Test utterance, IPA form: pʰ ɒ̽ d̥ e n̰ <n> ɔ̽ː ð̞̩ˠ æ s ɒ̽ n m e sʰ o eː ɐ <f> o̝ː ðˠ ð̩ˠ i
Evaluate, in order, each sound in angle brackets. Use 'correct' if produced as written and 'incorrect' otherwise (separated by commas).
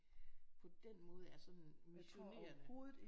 incorrect, incorrect